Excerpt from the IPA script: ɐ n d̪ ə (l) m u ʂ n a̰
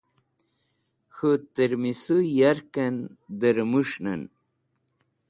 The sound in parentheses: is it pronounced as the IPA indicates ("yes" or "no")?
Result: no